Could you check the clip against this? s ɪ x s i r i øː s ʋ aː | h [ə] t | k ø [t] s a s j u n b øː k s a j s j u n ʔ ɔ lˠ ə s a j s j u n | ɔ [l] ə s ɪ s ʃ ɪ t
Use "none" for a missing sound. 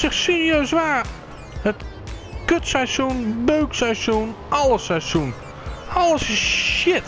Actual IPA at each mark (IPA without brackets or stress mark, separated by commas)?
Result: ə, t, l